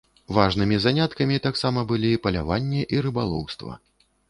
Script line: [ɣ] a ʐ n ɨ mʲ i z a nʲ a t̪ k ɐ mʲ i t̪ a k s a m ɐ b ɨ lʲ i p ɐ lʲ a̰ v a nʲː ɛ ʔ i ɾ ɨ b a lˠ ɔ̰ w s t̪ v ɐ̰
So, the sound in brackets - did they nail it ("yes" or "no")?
no